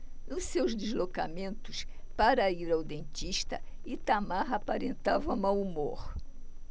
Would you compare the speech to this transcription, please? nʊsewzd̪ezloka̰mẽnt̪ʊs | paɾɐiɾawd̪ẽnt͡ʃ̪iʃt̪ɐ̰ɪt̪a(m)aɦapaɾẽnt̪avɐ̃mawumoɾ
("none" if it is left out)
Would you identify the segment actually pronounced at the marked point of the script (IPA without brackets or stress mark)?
m